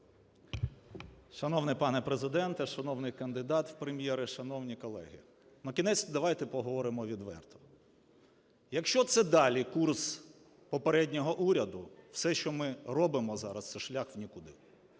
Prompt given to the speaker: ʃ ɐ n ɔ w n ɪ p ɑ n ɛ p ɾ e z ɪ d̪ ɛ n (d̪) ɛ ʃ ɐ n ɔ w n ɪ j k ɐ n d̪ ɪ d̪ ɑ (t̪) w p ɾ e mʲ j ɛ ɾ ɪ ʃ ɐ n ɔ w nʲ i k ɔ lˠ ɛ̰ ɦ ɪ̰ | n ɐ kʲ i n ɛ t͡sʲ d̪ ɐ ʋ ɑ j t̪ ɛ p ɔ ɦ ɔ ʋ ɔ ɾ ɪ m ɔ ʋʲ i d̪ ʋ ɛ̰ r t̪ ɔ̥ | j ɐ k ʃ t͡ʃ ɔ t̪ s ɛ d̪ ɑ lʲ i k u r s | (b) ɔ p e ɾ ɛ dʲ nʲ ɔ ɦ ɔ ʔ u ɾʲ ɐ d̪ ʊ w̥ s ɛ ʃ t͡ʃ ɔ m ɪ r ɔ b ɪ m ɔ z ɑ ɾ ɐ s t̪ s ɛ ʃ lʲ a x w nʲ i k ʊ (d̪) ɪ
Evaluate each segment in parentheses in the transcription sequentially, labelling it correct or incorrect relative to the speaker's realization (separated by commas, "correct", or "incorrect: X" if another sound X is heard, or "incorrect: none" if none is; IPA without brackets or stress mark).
incorrect: t̪, correct, incorrect: p, correct